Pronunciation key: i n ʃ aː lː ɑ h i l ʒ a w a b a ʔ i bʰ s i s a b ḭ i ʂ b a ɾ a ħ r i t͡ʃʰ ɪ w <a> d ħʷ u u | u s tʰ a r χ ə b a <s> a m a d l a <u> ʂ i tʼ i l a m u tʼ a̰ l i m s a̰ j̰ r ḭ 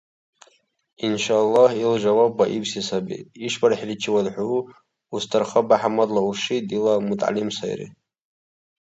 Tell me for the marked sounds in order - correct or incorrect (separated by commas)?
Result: correct, incorrect, correct